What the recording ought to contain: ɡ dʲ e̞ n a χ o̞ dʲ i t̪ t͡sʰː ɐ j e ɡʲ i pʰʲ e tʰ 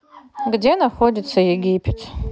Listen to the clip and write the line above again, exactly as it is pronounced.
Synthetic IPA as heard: ɡ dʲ e̞ n a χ o̞ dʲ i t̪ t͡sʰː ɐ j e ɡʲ i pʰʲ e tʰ